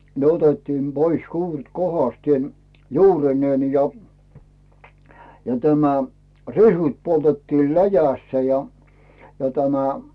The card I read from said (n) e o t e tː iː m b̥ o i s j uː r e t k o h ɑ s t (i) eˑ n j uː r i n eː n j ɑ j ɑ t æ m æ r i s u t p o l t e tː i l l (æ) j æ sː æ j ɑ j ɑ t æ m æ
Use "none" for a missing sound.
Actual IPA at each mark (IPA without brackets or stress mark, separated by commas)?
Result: n, i, æ